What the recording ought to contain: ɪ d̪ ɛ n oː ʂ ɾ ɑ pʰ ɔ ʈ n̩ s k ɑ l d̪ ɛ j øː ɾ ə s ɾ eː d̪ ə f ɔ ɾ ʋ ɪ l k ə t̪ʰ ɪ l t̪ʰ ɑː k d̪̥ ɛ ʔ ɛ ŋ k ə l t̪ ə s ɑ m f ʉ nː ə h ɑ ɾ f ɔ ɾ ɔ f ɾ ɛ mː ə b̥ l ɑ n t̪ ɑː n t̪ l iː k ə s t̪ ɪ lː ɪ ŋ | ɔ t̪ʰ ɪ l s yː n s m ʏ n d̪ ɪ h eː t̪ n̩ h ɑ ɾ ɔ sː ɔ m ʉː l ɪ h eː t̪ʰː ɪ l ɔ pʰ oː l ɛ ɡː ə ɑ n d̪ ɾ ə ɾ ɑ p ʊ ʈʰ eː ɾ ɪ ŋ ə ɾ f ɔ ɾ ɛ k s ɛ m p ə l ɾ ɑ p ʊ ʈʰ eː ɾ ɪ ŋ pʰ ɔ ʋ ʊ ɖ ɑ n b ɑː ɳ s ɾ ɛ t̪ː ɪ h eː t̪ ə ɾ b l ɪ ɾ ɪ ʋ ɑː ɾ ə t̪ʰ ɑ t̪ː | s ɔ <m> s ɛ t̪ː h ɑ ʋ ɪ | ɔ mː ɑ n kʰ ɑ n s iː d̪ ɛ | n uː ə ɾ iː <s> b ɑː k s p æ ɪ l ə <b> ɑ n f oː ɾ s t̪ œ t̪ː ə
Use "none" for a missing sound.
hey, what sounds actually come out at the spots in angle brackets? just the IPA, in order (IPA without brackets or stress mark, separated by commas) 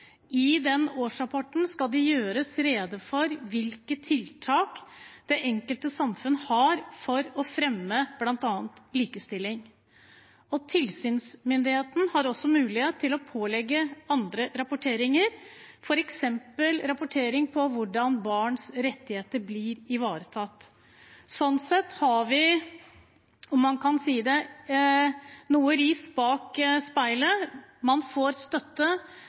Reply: n, s, m